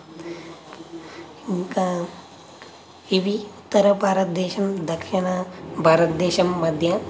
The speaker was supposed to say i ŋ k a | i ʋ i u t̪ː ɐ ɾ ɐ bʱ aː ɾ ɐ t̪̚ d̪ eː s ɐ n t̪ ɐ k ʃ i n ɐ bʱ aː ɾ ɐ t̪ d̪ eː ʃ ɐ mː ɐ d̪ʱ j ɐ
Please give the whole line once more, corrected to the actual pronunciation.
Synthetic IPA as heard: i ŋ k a | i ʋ i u t̪ː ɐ ɾ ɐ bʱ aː ɾ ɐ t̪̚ d̪ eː ʃ ɐ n d̪ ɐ k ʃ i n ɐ bʱ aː ɾ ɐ t̪ d̪ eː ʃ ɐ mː ɐ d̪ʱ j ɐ